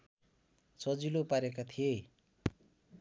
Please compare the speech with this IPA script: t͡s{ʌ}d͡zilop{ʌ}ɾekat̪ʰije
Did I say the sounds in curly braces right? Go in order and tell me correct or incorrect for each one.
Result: correct, incorrect

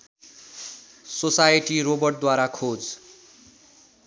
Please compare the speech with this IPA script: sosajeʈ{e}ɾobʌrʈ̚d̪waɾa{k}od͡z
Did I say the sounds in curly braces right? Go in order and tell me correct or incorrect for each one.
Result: incorrect, incorrect

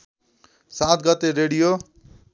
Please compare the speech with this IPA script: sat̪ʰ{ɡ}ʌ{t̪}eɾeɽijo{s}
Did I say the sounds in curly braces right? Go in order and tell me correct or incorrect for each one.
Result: correct, correct, incorrect

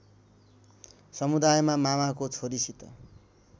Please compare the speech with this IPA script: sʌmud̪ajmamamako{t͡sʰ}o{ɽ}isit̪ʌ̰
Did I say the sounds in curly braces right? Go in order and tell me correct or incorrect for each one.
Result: correct, incorrect

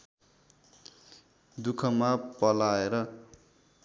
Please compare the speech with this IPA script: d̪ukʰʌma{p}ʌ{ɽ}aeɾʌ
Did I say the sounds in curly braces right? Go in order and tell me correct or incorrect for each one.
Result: correct, incorrect

